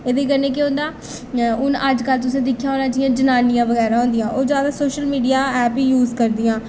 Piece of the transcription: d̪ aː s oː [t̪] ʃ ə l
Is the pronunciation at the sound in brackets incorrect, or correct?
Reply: incorrect